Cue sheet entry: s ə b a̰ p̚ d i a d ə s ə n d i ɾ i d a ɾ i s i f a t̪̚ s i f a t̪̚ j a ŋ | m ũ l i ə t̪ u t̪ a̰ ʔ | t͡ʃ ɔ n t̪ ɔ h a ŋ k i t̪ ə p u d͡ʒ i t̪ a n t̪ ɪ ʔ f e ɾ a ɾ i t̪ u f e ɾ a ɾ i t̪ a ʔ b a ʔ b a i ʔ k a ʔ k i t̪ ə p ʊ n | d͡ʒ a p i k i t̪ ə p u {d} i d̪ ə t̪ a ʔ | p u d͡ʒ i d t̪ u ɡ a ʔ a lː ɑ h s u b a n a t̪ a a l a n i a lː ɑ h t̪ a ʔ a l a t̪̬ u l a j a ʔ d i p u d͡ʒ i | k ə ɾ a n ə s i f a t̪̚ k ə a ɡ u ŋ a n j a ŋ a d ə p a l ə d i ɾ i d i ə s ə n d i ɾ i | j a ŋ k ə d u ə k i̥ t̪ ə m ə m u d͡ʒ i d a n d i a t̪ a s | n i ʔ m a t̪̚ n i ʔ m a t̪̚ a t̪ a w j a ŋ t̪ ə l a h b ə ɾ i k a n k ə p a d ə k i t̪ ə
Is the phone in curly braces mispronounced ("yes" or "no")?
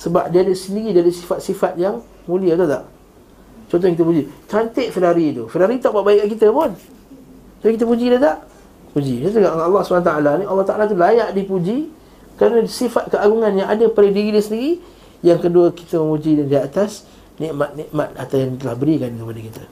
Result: yes